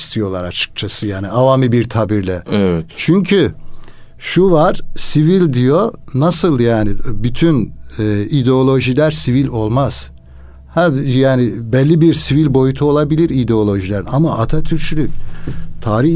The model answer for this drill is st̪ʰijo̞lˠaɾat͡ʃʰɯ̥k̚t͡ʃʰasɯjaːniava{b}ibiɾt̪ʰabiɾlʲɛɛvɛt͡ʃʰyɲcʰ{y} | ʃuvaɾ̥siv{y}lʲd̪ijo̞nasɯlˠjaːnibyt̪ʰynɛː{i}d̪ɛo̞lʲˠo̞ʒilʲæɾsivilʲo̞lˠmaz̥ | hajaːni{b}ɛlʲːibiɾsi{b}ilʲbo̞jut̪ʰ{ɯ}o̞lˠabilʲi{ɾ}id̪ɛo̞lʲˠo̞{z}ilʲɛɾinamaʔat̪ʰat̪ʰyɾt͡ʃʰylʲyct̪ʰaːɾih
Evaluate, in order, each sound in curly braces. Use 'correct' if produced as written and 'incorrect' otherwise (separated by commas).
incorrect, correct, incorrect, correct, correct, incorrect, incorrect, correct, incorrect